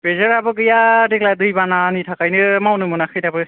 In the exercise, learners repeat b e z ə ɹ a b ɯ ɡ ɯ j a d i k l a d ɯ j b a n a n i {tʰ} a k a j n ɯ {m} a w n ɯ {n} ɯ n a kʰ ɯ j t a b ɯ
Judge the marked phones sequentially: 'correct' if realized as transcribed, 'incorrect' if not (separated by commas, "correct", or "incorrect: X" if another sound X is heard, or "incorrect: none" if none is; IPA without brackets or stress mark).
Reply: correct, correct, incorrect: m